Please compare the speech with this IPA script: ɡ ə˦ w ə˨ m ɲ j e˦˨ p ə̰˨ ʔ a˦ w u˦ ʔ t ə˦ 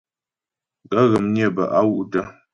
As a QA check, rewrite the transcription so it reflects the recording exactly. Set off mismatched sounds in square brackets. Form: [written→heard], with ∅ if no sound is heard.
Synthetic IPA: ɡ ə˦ [w→ɣ] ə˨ m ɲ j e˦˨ [p→b] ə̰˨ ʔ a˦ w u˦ ʔ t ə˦

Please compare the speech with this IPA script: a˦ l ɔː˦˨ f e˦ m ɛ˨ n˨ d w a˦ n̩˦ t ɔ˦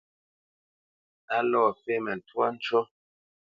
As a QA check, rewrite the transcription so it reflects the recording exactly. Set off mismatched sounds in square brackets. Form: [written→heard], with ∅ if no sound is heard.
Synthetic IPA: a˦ l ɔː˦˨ f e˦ m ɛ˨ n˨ [d→t] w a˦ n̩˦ [t→t͡ʃ] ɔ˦

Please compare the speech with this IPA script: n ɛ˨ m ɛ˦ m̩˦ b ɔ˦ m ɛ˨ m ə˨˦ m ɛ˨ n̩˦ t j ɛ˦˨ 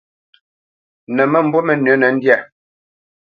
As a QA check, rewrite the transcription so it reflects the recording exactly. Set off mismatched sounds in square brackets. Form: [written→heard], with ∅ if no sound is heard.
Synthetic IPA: n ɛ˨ m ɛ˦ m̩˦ b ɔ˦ m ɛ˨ [m→n] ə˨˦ [m→n] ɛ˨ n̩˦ [t→d] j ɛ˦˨

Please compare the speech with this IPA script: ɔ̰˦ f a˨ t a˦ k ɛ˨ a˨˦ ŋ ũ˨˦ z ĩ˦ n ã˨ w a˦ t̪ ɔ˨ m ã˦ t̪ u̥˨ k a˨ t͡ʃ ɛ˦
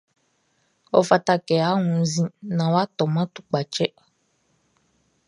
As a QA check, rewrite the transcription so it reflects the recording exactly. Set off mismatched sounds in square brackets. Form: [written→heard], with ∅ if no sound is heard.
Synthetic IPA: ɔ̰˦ f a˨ t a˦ k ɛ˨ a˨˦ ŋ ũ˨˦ z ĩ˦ n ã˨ w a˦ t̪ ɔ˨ m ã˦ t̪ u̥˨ [k→k͡p] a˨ t͡ʃ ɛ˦

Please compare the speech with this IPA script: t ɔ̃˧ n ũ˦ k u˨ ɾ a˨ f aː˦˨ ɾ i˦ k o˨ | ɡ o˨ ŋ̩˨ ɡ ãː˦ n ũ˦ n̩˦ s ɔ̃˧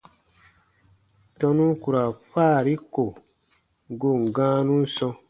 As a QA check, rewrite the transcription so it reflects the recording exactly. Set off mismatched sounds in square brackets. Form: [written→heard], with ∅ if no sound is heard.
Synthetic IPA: t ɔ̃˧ n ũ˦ k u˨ ɾ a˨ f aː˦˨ ɾ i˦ k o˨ | ɡ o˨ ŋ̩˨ ɡ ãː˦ n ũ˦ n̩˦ s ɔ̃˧

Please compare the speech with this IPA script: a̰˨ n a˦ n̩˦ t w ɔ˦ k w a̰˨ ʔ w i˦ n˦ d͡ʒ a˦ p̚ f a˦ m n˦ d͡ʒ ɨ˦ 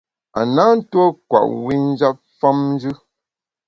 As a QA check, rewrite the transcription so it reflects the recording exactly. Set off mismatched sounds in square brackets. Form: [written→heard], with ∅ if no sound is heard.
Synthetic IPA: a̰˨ n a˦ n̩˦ t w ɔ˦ k w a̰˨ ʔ w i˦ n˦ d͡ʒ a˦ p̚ f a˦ m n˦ d͡ʒ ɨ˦

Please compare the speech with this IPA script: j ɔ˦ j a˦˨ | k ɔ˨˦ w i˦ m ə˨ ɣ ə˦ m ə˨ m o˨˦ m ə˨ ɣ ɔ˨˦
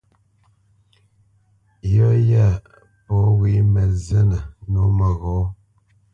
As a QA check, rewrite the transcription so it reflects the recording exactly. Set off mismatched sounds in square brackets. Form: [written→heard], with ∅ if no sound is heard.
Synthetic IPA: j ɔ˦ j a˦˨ | [k→p] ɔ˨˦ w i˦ m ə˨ [ɣ→z] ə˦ [m→n] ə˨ [m→n] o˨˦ m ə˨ ɣ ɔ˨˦

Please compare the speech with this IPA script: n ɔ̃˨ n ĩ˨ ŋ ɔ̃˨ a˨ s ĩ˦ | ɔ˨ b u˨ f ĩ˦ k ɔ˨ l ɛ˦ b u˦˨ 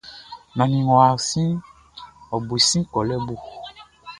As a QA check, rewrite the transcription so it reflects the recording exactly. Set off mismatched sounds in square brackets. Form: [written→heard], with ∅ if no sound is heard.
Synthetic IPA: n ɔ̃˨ n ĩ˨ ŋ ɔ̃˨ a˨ s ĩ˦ | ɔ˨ b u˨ [f→s] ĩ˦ k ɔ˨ l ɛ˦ b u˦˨

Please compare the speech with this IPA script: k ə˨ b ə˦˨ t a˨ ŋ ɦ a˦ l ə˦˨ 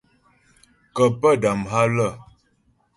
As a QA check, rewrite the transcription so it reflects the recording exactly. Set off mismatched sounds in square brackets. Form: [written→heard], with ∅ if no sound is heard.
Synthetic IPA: k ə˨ [b→p] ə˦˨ [t→d] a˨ [ŋ→m] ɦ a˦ l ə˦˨

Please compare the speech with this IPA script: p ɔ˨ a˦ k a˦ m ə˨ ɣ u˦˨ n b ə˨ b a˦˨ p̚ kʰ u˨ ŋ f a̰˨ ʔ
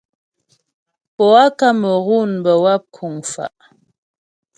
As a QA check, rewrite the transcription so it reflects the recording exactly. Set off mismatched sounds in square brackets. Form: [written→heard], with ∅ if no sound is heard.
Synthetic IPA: p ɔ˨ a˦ k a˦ m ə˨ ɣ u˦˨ n b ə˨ [b→w] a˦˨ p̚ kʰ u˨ ŋ f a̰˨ ʔ

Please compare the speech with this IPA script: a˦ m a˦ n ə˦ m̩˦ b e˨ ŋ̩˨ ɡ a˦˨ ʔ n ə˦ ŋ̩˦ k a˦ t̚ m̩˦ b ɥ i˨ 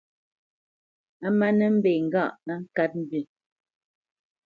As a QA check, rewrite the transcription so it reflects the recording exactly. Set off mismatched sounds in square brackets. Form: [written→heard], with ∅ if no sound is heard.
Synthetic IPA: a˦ m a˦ n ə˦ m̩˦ b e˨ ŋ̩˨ ɡ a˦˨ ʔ n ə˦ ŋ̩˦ k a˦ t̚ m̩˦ b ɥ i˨

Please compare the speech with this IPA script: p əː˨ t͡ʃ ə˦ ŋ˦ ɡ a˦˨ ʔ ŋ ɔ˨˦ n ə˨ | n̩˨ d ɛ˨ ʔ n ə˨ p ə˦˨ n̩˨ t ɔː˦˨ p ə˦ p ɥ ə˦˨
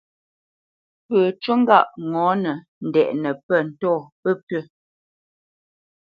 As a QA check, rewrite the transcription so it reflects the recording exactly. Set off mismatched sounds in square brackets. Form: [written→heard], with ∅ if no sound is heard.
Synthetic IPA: p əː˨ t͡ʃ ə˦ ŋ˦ ɡ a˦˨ ʔ ŋ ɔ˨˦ n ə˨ | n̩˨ d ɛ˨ ʔ n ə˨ p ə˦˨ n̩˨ t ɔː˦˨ p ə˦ p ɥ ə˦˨

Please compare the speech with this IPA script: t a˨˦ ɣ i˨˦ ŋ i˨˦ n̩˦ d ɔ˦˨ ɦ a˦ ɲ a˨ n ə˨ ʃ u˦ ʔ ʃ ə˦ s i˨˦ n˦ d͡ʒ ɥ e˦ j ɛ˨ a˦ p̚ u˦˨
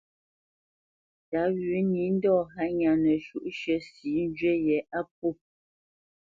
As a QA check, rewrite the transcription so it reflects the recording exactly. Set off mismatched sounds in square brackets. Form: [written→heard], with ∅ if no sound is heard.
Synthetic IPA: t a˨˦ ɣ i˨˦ [ŋ→n] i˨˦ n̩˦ d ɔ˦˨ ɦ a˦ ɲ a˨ n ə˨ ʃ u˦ ʔ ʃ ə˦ s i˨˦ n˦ d͡ʒ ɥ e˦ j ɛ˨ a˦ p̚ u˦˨

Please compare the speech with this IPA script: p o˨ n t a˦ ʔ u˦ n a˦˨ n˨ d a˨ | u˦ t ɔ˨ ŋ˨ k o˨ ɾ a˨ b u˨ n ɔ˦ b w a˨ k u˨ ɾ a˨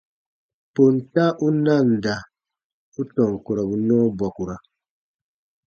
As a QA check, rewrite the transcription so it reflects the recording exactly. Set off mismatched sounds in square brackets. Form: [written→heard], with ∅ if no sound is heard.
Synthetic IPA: p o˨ n t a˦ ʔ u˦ n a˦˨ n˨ d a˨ | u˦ t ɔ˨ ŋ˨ k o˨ ɾ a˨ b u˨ n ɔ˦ b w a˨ k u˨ ɾ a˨

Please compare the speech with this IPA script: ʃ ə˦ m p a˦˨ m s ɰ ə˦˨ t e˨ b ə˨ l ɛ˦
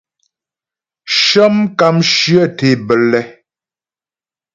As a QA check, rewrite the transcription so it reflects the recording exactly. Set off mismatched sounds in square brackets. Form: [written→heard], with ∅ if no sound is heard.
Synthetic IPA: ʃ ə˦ m [p→k] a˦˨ m [s→ʃ] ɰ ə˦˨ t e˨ b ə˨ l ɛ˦

